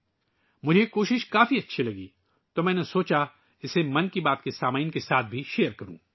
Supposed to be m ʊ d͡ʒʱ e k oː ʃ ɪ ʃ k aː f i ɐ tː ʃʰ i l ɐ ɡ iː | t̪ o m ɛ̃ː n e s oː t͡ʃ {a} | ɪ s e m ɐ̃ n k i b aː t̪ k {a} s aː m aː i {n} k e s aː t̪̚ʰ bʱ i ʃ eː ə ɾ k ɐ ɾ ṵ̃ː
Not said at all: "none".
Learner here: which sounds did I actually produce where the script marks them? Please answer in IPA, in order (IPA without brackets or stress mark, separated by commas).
a, e, n